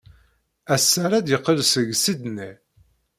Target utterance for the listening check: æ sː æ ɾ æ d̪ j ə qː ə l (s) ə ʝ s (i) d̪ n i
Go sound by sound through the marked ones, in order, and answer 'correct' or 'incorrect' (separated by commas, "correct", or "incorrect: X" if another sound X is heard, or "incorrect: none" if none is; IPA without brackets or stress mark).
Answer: correct, correct